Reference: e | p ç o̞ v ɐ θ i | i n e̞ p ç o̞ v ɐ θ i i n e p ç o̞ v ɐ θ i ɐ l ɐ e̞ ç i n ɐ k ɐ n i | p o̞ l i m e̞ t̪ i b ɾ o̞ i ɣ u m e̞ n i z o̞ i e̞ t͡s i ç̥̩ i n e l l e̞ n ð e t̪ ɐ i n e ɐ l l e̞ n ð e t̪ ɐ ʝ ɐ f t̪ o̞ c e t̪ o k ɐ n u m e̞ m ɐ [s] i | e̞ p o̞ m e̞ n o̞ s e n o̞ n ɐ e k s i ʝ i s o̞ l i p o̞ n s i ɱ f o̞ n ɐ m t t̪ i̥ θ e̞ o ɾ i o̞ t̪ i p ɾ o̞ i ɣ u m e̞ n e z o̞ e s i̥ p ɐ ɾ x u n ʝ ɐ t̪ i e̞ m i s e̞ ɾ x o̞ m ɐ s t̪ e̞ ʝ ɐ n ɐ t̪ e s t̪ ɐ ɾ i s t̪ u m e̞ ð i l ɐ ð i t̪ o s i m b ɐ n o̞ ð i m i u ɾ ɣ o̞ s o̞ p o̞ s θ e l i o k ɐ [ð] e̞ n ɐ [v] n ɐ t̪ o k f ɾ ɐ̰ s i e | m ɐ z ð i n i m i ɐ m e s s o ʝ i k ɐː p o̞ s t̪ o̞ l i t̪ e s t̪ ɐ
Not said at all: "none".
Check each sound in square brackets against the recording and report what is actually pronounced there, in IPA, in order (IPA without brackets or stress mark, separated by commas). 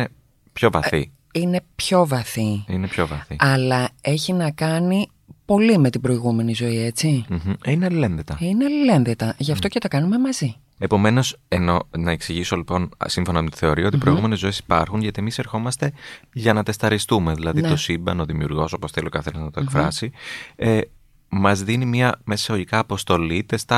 z, θ, z